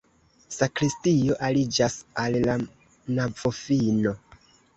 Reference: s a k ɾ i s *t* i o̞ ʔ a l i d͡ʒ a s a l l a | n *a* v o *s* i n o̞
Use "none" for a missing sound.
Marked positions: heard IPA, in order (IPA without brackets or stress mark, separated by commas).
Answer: t, a, f